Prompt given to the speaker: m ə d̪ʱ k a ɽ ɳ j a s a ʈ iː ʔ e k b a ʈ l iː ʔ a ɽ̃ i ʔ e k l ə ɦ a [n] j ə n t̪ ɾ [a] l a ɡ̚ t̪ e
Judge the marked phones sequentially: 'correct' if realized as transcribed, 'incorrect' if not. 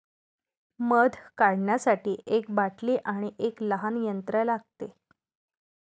correct, incorrect

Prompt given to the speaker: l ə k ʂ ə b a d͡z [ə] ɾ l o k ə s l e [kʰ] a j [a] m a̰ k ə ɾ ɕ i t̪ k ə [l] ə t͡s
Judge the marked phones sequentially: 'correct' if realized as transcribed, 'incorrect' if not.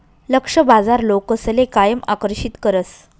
incorrect, incorrect, incorrect, incorrect

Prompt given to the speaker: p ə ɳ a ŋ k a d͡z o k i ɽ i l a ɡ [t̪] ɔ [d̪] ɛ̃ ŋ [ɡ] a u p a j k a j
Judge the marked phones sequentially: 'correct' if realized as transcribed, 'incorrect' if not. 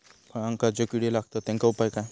correct, incorrect, incorrect

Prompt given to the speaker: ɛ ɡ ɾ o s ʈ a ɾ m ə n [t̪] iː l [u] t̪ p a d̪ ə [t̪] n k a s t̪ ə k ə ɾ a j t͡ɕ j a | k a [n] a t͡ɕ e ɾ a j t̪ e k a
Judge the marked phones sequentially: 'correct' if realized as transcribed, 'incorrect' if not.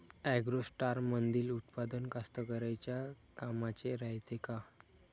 incorrect, correct, incorrect, incorrect

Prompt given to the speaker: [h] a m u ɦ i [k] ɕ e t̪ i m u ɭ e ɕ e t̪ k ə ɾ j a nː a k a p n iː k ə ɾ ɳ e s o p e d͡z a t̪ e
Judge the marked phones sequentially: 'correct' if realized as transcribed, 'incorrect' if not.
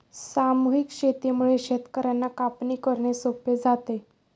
incorrect, correct

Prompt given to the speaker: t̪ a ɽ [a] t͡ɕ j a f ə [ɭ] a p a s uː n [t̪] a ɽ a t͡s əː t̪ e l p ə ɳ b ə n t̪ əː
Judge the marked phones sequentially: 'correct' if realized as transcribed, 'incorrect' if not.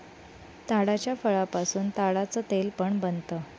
correct, correct, correct

